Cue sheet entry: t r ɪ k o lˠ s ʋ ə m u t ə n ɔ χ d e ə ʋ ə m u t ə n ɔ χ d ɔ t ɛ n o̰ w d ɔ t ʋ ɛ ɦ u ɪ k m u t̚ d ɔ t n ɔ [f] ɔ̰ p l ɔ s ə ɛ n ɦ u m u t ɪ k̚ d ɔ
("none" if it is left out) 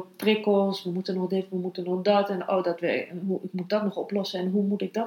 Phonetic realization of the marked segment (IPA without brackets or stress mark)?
χ